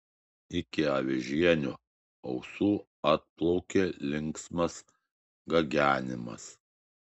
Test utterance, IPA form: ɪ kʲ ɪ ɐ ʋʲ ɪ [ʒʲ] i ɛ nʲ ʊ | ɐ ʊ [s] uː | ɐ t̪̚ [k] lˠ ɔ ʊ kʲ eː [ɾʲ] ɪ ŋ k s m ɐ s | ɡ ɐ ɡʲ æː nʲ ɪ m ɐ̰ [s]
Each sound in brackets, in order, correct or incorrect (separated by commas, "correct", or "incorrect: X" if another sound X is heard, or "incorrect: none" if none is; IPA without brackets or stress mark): correct, correct, incorrect: p, incorrect: lʲ, correct